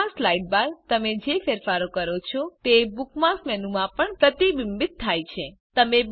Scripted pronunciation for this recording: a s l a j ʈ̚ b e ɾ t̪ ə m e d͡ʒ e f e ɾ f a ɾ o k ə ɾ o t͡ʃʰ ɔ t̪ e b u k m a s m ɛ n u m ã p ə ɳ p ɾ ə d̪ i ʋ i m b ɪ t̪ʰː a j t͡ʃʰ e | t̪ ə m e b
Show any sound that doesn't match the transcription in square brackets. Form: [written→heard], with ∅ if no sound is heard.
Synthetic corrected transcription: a s l a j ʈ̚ b [e→a] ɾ t̪ ə m e d͡ʒ e f e ɾ f a ɾ o k ə ɾ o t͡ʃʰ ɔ t̪ e b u k m a s m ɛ n u m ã p ə ɳ p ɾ ə [d̪→t̪] i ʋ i m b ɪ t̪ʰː a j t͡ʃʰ e | t̪ ə m e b